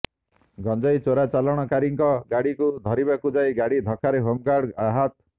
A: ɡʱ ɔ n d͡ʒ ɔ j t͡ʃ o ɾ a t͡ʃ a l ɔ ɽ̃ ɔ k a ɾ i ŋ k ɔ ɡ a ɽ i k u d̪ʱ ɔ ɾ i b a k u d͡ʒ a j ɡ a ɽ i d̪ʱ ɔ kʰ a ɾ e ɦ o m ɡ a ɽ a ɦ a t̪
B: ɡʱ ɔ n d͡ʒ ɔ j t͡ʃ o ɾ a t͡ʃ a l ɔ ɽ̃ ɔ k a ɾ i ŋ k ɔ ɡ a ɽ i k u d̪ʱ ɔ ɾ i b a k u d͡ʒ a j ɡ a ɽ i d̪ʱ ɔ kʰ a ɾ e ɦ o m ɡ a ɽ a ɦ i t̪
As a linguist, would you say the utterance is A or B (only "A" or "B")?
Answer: A